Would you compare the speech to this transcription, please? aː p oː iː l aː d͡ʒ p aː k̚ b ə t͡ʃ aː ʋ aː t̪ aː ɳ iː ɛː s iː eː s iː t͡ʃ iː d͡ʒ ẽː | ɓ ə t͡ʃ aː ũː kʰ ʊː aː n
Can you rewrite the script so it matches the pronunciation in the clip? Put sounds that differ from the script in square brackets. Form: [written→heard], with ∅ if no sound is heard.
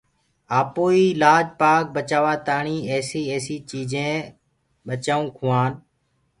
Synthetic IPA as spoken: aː p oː iː l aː d͡ʒ p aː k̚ b ə t͡ʃ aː ʋ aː t̪ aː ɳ iː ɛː s iː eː s iː t͡ʃ iː d͡ʒ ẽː | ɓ ə t͡ʃ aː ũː kʰ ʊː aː n